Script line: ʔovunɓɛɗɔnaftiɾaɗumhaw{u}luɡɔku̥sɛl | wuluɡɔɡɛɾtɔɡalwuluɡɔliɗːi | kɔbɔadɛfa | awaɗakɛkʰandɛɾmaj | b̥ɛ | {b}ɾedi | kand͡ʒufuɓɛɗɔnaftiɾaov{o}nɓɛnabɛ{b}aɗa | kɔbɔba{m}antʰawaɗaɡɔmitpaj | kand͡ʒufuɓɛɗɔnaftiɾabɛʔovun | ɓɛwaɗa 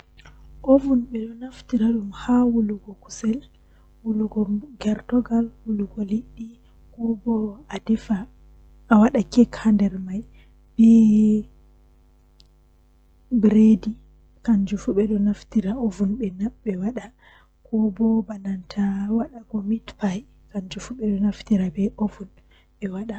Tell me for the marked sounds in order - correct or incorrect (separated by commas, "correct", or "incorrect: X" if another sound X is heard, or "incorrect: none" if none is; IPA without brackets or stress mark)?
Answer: correct, correct, incorrect: u, incorrect: w, incorrect: n